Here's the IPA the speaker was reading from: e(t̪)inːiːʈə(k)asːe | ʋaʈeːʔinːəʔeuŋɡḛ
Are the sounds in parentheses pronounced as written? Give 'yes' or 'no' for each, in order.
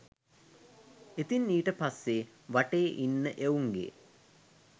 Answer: yes, no

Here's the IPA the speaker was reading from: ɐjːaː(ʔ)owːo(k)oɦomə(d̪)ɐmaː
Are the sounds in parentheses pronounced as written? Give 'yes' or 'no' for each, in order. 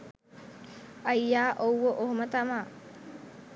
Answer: yes, no, no

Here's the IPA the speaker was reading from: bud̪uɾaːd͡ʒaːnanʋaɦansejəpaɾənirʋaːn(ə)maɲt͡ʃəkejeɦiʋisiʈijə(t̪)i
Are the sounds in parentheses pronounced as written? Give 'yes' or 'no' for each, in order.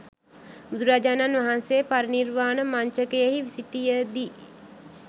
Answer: yes, no

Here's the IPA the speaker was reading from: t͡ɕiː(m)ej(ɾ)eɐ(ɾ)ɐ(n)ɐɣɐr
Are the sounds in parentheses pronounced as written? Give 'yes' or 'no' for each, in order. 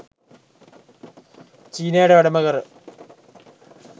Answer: no, no, no, no

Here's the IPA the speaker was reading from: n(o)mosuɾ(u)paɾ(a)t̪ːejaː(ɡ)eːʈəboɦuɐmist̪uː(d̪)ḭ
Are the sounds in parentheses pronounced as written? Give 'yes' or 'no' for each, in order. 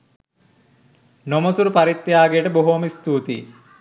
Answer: yes, yes, no, yes, no

